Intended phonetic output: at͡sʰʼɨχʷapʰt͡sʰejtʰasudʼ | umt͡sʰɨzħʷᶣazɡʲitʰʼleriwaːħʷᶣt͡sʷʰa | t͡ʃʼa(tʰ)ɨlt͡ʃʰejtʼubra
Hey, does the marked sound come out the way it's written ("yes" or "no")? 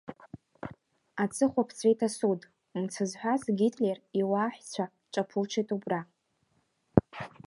no